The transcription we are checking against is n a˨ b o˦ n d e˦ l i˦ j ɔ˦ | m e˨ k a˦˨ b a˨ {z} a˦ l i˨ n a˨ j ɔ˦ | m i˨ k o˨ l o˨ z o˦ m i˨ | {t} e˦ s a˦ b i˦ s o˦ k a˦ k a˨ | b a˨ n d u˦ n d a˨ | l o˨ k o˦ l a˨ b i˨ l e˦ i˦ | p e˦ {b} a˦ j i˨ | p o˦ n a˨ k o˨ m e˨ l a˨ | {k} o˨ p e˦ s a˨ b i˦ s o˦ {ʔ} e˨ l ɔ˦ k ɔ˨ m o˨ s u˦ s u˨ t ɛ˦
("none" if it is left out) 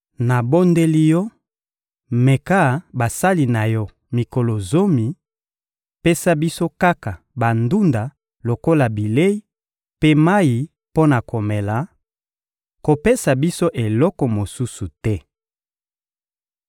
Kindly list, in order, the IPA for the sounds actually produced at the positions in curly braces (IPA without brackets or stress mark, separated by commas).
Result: s, p, m, k, ʔ